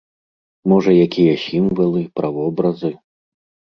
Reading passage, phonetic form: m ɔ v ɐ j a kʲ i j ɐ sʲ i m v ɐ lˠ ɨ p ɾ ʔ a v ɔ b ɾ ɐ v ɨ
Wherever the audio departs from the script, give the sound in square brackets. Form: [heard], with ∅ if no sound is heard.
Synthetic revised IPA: m ɔ [ʐ] ɐ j a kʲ i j ɐ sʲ i m v ɐ lˠ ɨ p ɾ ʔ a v ɔ b ɾ ɐ [z] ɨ